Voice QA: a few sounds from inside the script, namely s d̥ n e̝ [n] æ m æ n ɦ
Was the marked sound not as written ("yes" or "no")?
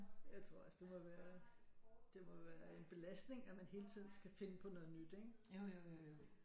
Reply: yes